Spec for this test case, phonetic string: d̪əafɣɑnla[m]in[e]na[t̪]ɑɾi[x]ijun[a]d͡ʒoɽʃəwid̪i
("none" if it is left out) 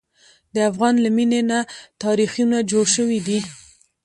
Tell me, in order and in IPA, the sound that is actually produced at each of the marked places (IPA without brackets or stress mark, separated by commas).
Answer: m, e, t̪, x, a